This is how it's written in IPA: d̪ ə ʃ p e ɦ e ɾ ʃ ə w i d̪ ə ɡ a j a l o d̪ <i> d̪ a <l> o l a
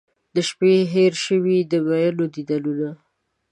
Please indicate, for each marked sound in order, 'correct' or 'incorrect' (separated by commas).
correct, correct